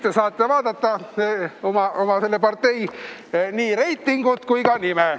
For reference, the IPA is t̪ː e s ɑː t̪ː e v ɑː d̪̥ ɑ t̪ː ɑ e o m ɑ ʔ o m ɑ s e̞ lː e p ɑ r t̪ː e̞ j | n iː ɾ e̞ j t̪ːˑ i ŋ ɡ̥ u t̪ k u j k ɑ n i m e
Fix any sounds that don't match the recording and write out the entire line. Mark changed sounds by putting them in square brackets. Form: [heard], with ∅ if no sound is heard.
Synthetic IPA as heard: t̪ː e s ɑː t̪ː e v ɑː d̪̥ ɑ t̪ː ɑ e o m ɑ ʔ o m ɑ s e̞ lː e p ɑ r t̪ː e̞ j | n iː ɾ e̞ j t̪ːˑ i ŋ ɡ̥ u t̪ k u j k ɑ n i m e